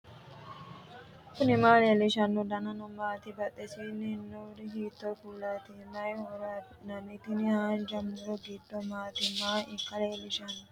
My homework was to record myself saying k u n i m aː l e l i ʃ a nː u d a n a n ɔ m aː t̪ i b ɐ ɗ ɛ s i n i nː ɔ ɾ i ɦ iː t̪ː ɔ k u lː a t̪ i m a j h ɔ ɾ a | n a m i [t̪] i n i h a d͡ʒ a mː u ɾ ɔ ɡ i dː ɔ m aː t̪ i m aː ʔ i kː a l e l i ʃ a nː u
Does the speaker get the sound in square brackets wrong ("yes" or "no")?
no